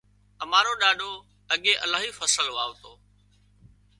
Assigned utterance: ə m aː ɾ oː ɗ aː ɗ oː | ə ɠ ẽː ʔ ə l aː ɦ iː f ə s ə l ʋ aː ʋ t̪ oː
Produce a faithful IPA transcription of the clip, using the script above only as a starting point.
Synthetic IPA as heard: ə m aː ɾ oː ɗ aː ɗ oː | ə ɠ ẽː ʔ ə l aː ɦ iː f ə s ə l ʋ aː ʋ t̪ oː